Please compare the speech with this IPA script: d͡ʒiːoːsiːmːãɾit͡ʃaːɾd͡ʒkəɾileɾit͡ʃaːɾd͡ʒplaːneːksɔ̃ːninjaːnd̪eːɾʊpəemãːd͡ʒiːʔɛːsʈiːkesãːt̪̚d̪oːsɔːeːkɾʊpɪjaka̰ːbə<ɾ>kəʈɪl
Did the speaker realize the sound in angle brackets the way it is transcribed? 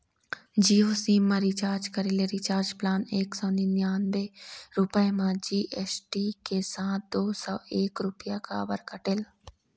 yes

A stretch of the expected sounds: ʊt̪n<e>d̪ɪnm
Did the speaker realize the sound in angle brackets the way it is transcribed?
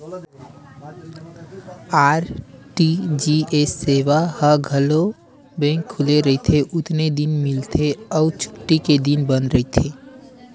yes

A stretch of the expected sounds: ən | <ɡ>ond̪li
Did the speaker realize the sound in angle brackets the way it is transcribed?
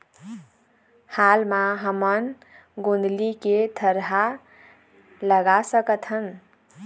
yes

